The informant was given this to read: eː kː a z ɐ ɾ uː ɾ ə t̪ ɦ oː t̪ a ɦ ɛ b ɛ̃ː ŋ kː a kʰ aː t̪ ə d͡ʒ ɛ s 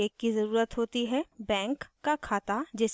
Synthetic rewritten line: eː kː i z ɐ ɾ uː ɾ ə t̪ ɦ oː t̪ i ɦ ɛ b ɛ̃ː ŋ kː a kʰ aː t̪ a d͡ʒ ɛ s